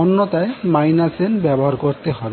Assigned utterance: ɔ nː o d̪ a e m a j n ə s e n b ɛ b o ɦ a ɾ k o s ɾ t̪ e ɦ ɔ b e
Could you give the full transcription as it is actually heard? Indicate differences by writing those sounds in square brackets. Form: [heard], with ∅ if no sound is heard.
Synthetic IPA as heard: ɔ nː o [t̪] a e m a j n [a] s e n b ɛ b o ɦ a ɾ k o [∅] ɾ t̪ e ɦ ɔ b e